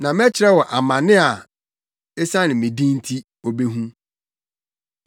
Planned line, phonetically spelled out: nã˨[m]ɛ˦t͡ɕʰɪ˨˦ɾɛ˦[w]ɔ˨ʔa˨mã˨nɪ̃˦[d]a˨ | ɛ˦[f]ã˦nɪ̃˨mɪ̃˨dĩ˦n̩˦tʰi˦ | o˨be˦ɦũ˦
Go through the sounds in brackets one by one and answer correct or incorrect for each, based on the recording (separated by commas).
correct, correct, incorrect, incorrect